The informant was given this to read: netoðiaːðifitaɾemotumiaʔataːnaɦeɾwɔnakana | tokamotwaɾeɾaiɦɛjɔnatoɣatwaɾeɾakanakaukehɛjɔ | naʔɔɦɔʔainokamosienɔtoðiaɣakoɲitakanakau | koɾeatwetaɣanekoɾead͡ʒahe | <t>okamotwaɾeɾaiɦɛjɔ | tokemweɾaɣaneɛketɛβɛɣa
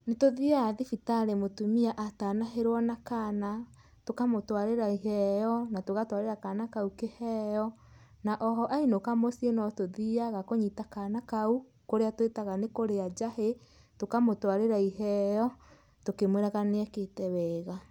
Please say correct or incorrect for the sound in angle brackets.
correct